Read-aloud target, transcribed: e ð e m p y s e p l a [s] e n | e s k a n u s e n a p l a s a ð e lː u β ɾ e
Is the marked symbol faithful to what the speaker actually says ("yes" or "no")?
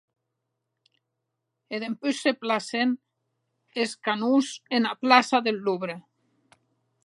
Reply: yes